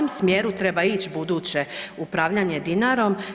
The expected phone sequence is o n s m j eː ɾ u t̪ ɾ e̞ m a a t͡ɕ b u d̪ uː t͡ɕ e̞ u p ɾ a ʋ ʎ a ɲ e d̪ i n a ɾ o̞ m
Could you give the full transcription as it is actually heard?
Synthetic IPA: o m s m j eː ɾ u t̪ ɾ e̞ b a i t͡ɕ b u d̪ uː t͡ɕ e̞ u p ɾ a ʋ ʎ a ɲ e d̪ i n a ɾ o̞ m